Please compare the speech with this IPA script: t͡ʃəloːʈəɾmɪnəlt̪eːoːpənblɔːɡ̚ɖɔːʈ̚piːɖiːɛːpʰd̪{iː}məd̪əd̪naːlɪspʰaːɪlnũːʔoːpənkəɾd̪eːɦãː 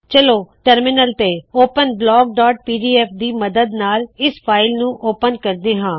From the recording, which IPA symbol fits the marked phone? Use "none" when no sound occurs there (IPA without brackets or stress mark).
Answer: iː